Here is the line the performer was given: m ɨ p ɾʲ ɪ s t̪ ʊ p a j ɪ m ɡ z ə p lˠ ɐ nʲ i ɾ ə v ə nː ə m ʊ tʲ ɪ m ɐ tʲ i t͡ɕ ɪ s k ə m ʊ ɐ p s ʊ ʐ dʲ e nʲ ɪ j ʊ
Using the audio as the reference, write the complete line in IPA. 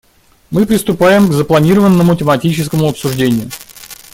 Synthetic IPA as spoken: m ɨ p ɾʲ ɪ s t̪ ʊ p a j ɪ m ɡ z ə p lˠ ɐ nʲ i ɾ ə v ə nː ə m ʊ tʲ ɪ m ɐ tʲ i t͡ɕ ɪ s k ə m ʊ ɐ p s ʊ ʐ dʲ e nʲ ɪ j ʊ